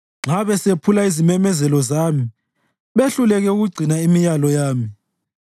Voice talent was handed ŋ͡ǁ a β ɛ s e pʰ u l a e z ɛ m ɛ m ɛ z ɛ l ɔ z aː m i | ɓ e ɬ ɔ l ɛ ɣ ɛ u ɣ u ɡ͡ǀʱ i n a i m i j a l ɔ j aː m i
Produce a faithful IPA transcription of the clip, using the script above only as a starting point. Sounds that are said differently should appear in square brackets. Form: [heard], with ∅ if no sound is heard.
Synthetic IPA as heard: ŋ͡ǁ a β ɛ s e pʰ u l a [i] z [i] m ɛ m ɛ z ɛ l ɔ z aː m i | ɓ e ɬ [u] l ɛ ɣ ɛ u ɣ u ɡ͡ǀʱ i n a i m i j a l ɔ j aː m i